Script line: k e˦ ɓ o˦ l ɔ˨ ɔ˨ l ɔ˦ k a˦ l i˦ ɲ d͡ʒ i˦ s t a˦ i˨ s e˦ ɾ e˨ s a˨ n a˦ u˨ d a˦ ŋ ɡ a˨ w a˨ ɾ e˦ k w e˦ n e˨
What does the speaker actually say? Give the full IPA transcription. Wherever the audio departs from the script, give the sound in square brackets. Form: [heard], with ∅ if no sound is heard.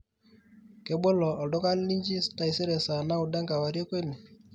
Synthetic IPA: k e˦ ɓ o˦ l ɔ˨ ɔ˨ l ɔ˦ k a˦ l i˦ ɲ d͡ʒ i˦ s t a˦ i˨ s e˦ ɾ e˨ s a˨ n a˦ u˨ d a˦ ŋ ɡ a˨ w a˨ ɾ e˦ k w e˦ n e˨